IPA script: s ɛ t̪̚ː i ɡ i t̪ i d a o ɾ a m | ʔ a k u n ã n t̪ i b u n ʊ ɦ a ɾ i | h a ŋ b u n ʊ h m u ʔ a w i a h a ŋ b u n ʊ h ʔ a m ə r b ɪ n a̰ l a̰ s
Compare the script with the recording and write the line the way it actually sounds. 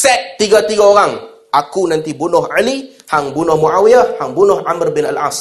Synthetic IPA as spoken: s ɛ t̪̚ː i ɡ a t̪ i ɡ a o ɾ a ŋ | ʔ a k u n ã n t̪ i b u n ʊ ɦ a l i | h a ŋ b u n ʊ h m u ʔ a w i a h a ŋ b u n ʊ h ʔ a m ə r b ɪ n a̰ l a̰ s